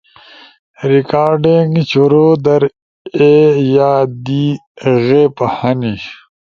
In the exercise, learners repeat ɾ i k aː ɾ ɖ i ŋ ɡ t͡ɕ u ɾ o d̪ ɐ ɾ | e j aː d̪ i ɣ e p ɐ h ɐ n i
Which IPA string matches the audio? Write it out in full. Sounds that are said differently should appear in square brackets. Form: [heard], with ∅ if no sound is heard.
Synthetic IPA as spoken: ɾ i k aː ɾ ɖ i ŋ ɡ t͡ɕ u ɾ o d̪ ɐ ɾ | e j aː d̪ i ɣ e p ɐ h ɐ n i